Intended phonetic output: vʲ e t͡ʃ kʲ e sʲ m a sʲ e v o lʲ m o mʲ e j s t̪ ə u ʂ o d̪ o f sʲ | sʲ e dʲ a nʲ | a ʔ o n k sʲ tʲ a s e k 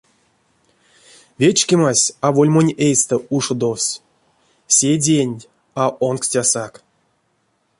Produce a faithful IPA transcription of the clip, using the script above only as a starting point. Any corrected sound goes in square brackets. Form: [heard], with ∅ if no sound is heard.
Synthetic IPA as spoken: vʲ e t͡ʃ kʲ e [∅] m a sʲ [a] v o lʲ m o [nʲ] e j s t̪ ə u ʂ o d̪ o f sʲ | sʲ e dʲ [e] nʲ | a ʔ o n k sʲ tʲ a s [a] k